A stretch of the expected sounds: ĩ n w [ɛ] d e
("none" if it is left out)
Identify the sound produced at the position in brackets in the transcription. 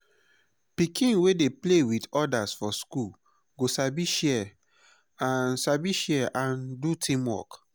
e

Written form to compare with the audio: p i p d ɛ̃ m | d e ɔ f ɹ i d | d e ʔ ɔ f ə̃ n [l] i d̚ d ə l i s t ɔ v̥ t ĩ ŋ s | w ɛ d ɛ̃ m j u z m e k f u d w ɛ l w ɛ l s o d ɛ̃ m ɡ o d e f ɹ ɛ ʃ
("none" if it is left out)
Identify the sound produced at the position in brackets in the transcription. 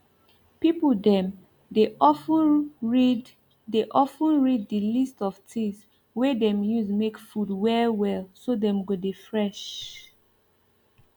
ɹ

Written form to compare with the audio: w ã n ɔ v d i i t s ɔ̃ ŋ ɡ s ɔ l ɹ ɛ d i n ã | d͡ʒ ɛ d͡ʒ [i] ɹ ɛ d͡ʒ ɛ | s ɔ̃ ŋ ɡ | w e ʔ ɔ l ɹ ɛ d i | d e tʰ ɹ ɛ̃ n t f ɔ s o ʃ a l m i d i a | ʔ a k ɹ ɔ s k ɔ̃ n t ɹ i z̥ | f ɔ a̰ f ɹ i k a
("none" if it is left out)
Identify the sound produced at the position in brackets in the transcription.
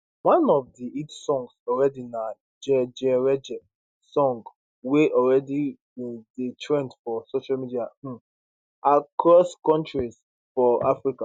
ɛ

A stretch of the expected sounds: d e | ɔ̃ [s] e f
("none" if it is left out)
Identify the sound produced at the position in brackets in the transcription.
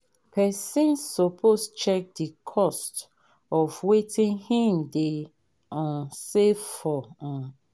s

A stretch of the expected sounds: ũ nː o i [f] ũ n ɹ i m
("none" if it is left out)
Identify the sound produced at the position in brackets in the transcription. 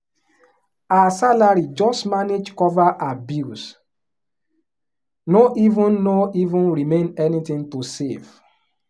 v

